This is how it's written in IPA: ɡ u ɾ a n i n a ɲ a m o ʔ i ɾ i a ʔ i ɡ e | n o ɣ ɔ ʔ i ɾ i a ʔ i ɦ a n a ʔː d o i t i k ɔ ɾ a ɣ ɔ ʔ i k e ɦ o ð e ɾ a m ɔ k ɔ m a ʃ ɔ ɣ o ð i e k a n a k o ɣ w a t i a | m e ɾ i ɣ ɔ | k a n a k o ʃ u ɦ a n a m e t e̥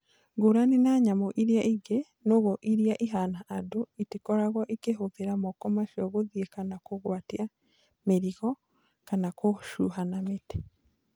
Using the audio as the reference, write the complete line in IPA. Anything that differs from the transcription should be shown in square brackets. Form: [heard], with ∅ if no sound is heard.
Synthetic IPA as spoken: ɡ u ɾ a n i n a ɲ a m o ʔ i ɾ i a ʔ i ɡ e | n o ɣ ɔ ʔ i ɾ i a ʔ i ɦ a n a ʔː d o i t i k ɔ ɾ a ɣ ɔ ʔ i k e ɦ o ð e ɾ a m ɔ k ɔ m a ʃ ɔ ɣ o ð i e k a n a k o ɣ w a t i a | m e ɾ i ɣ ɔ | k a n a k o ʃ u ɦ a n a m e t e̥